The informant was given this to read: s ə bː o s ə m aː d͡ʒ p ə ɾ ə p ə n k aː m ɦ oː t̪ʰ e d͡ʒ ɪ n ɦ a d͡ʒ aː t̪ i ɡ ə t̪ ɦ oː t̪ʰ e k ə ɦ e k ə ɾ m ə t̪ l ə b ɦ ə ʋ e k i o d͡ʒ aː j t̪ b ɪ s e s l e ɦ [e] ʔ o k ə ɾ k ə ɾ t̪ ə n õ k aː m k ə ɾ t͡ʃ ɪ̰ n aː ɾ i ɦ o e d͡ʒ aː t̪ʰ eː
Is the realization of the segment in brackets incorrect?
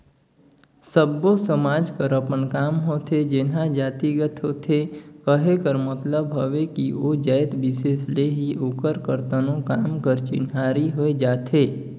yes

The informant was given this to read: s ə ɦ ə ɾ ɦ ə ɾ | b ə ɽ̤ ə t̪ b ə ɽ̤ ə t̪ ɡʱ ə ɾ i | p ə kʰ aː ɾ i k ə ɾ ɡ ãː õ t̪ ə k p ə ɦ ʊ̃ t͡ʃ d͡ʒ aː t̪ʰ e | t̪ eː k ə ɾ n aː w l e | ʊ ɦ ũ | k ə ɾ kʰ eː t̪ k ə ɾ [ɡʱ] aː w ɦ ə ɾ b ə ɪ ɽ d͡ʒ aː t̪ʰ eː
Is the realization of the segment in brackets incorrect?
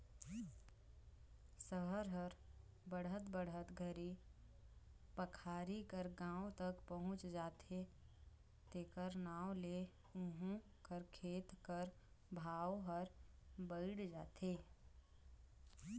yes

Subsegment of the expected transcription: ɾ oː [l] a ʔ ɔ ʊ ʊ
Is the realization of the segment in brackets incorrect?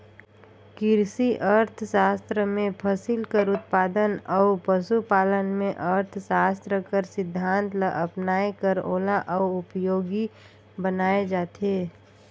no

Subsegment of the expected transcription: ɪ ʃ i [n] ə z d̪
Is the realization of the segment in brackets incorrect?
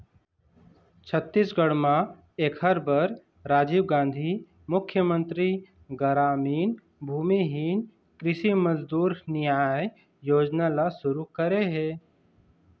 yes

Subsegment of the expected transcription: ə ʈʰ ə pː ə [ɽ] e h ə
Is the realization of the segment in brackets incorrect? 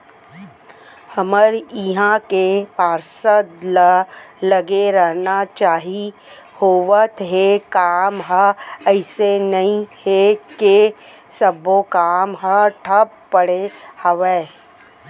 no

